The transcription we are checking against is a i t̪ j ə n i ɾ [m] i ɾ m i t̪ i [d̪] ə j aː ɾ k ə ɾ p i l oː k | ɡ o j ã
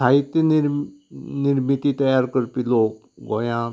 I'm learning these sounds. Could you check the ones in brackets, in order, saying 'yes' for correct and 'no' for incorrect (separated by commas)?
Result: no, no